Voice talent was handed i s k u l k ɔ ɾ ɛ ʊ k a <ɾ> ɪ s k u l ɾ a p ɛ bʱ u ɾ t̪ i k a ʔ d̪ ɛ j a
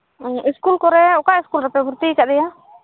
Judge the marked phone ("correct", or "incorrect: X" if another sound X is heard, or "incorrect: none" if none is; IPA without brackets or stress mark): incorrect: none